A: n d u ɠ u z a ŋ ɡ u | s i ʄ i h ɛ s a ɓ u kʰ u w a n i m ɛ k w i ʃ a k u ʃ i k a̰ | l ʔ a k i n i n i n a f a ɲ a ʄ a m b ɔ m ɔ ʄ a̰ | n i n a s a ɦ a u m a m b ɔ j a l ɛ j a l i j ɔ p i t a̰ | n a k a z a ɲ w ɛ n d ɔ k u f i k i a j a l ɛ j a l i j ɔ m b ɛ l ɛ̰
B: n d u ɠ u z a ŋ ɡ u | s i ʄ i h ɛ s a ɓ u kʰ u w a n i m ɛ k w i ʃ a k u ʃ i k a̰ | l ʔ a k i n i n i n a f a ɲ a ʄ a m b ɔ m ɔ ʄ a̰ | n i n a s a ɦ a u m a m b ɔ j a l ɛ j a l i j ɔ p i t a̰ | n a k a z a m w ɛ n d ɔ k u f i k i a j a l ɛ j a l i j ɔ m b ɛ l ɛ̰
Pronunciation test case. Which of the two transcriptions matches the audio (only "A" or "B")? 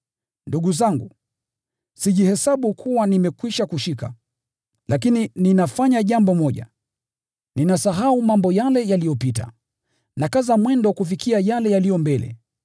B